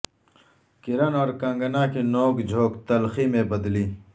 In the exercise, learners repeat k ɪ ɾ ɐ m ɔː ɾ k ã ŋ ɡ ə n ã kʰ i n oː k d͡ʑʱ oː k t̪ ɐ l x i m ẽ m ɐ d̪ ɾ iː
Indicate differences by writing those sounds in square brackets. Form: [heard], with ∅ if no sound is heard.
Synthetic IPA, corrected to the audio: k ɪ ɾ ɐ [n] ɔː ɾ k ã ŋ ɡ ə n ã [k] i n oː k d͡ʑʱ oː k t̪ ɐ l x i m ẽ [b] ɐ d̪ [l] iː